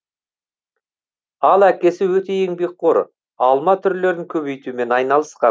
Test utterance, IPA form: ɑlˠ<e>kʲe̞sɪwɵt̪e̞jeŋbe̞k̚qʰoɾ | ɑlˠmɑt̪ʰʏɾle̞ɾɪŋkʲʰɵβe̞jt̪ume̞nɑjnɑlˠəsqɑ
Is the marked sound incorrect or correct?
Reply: incorrect